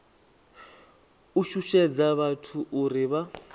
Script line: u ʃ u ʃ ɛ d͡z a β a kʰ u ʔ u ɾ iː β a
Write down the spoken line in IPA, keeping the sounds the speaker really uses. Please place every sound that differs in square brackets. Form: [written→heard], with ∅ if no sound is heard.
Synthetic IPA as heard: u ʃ u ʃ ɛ d͡z a β a [kʰ→tʰ] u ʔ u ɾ [iː→i] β a